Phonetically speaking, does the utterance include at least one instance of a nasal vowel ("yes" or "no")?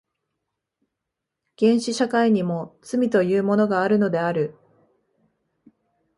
yes